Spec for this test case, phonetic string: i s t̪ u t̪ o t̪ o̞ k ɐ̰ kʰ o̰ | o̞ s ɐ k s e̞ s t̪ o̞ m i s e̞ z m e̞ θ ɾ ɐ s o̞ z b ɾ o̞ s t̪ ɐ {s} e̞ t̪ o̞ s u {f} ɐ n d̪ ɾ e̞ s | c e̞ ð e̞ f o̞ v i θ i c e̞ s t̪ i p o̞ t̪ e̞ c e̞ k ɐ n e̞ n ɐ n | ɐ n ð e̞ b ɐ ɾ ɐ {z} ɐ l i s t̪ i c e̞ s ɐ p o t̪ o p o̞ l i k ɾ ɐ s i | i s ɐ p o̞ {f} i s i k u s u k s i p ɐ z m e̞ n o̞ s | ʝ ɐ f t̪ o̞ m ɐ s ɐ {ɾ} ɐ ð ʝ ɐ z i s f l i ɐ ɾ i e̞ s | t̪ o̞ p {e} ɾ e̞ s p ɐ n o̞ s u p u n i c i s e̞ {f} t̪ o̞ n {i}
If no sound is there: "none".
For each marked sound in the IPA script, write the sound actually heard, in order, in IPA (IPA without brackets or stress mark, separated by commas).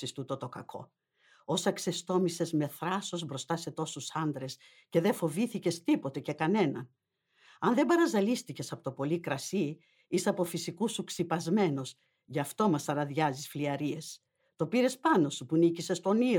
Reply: s, s, z, f, ɾ, i, s, i